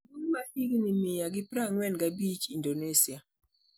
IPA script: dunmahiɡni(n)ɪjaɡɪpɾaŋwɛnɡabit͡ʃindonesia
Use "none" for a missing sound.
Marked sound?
m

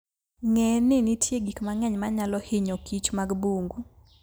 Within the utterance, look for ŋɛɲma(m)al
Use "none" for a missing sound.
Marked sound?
ɲ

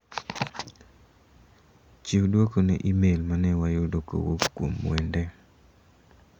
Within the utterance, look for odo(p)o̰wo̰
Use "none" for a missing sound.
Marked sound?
k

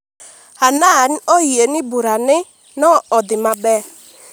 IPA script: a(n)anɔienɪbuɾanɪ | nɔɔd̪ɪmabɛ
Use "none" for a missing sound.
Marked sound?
n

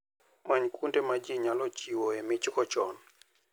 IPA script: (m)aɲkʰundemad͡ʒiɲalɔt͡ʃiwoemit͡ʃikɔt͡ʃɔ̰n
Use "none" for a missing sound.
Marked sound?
m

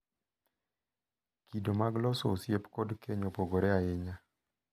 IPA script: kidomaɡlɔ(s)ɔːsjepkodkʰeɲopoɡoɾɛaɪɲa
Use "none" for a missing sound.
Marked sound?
s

